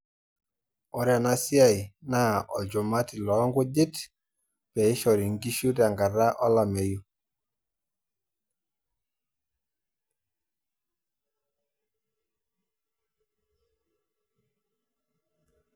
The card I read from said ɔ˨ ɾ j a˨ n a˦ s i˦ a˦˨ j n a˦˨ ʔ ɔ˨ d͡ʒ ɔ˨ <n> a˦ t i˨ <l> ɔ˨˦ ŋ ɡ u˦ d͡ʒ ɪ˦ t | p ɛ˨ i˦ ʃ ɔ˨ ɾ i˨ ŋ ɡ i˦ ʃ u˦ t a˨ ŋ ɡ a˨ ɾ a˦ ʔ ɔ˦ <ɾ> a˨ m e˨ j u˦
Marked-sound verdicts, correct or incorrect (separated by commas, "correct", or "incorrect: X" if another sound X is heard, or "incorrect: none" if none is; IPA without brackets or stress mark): incorrect: m, correct, incorrect: l